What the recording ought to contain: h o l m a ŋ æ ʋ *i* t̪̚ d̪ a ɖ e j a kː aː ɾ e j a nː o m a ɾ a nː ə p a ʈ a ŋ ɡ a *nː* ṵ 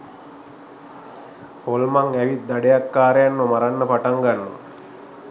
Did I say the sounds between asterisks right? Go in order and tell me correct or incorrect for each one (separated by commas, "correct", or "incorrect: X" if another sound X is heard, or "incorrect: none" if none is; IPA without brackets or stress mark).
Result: correct, correct